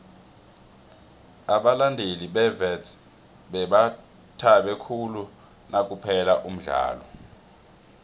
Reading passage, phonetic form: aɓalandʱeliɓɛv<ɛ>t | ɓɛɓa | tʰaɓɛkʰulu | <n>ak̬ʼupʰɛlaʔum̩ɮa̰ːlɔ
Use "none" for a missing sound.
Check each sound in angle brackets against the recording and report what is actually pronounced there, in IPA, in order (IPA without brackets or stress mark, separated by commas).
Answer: ɛ, n